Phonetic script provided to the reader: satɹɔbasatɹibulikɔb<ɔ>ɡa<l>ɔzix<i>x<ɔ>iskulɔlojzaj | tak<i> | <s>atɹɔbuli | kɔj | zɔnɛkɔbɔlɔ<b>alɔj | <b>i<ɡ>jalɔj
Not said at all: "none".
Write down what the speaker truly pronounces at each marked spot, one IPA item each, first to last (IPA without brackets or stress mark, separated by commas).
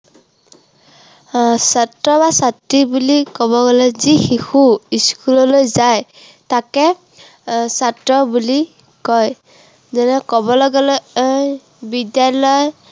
ɔ, l, i, u, ɛ, s, ɡ, b, d